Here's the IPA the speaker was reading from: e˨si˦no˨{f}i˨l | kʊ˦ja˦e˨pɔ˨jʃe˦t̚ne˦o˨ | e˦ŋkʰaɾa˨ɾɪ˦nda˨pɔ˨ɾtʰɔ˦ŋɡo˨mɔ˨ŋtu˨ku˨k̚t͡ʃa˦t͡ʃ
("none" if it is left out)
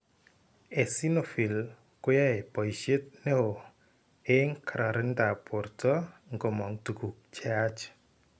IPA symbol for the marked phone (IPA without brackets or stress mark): f